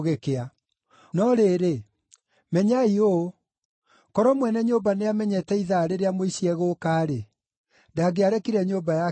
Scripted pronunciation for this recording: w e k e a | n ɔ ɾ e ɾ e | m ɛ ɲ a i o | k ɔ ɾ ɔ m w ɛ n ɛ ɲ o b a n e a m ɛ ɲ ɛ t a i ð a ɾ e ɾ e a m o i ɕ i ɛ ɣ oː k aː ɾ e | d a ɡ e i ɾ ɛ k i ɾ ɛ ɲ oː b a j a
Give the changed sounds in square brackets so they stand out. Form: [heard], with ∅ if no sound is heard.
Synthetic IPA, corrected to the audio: [ɣ] e k e a | n ɔ ɾ e ɾ e | m ɛ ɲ a i o | k ɔ ɾ ɔ m w ɛ n ɛ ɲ o b a n e a m ɛ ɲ ɛ t [ɛ] i ð a ɾ e ɾ e a m o i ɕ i ɛ ɣ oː k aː ɾ e | d a ɡ e [a] ɾ ɛ k i ɾ ɛ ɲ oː b a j a